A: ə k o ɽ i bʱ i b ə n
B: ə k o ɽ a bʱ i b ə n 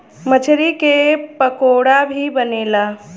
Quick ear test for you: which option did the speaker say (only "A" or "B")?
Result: B